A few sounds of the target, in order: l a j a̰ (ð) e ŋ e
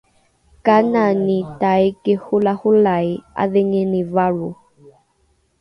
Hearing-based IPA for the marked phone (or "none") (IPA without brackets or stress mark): ð